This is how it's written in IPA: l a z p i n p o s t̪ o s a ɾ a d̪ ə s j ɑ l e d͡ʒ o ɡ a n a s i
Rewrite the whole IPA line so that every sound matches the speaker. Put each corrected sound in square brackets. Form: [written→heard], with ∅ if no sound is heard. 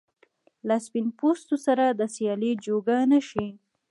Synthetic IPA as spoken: l a [z→s] p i n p o s t̪ o s a ɾ a d̪ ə s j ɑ l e d͡ʒ o ɡ a n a [s→ʃ] i

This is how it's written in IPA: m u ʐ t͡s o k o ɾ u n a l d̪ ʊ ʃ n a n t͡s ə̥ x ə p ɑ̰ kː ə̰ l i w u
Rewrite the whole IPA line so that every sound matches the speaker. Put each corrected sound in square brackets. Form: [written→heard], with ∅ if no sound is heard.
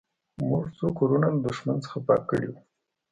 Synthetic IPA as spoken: m u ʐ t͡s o k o ɾ u n a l d̪ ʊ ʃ [n→m] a n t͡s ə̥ x [ə→a] p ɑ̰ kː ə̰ [l→ɽ] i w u

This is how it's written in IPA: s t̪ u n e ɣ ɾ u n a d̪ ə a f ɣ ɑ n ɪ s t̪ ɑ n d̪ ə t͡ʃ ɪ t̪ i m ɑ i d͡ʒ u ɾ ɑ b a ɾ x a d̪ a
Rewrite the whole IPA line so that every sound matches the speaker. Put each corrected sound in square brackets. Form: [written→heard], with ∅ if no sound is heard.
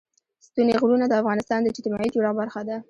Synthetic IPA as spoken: s t̪ u n e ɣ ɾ u n a d̪ ə a f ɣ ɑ n ɪ s t̪ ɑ n d̪ ə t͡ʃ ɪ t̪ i m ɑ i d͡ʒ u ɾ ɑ b a ɾ x a d̪ a

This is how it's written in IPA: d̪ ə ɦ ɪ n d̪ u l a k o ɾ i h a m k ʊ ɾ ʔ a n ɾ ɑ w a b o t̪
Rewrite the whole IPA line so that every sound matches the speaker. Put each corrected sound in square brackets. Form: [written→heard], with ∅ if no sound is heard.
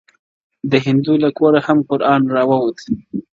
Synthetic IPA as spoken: d̪ ə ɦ ɪ n d̪ u l a k o ɾ [i→a] h a m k ʊ ɾ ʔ [a→ɑ] n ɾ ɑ w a [b→w] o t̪

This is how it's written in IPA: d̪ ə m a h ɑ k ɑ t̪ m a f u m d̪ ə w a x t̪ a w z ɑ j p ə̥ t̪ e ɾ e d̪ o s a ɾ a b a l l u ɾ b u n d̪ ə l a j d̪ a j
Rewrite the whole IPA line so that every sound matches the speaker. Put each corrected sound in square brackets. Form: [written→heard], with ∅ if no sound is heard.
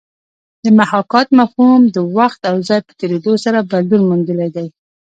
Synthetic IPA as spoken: d̪ ə m a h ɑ k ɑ t̪ m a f u m d̪ ə w a x t̪ a w z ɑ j p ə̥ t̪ e ɾ e d̪ o s a ɾ a b a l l u ɾ [b→m] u n d̪ ə l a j d̪ a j

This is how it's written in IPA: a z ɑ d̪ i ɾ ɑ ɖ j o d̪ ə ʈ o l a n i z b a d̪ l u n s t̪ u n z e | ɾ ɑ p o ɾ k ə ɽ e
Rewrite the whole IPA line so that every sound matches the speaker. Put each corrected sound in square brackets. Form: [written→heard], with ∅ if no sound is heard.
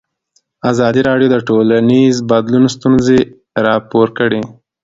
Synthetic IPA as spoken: a z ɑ d̪ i ɾ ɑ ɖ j o d̪ ə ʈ o l a n i z b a d̪ l u n s t̪ u n z e | ɾ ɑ p o ɾ k ə ɽ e

